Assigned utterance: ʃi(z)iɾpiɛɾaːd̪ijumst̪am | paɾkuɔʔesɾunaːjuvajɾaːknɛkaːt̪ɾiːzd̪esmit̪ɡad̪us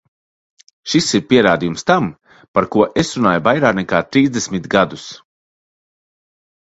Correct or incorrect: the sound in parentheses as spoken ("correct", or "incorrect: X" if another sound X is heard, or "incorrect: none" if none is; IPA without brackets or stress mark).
incorrect: s